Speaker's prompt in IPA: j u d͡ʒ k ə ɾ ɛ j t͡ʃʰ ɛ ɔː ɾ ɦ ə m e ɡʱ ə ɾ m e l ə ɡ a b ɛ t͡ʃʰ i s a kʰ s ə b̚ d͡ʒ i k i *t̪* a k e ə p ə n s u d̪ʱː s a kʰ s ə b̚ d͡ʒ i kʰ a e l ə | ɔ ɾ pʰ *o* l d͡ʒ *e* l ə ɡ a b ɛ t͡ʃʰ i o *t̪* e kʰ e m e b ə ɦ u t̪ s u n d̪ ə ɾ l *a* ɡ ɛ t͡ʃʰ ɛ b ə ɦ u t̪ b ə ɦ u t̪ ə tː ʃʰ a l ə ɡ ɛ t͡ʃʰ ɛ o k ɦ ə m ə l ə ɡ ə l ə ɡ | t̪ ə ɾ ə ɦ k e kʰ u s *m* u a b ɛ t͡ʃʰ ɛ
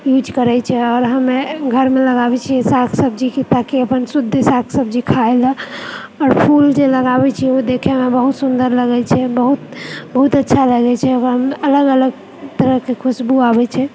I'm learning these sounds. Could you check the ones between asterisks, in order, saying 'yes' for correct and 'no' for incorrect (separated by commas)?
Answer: yes, no, yes, no, no, no